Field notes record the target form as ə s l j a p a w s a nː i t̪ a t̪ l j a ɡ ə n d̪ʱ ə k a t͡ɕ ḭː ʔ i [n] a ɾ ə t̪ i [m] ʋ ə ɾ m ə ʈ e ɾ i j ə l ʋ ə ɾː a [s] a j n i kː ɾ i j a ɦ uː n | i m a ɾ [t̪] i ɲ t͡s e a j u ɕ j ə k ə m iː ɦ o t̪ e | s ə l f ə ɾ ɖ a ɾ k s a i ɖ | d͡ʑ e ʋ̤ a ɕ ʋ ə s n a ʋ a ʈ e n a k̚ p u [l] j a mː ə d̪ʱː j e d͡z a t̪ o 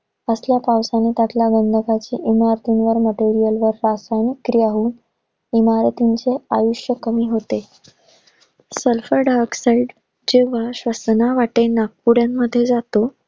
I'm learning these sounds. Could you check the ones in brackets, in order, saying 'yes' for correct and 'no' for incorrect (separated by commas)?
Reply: no, no, yes, yes, no